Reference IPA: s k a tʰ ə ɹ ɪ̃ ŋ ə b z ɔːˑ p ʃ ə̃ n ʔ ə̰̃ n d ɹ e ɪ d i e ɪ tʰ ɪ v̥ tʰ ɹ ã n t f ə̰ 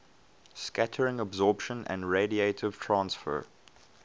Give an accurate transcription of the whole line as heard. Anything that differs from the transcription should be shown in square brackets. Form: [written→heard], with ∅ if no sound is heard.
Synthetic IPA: s k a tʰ ə ɹ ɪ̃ ŋ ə b z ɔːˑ p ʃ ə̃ n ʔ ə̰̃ n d ɹ e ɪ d i e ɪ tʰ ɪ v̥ tʰ ɹ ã n [t→s] f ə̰